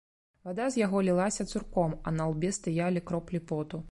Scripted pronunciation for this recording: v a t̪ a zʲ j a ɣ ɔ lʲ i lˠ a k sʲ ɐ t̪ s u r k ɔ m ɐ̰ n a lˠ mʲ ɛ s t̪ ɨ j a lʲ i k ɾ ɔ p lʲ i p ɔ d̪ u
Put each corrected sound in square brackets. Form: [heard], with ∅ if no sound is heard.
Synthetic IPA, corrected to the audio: v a [d̪] a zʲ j a ɣ ɔ lʲ i lˠ a [∅] sʲ ɐ t̪ s u r k ɔ m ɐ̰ n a lˠ [bʲ] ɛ s t̪ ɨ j a lʲ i k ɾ ɔ p lʲ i p ɔ [t̪] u